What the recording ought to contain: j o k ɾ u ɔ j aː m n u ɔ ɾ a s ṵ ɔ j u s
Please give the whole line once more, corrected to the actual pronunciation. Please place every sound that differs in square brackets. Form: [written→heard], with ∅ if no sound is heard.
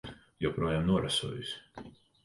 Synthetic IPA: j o [k→p] ɾ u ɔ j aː m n u ɔ ɾ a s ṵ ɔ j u s